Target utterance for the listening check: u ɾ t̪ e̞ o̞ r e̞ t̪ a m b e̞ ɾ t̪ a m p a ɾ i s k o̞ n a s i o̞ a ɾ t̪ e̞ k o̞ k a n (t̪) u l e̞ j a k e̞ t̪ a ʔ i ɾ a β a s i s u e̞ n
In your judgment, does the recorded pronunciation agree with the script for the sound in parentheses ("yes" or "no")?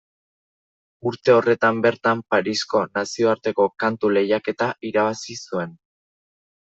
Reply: yes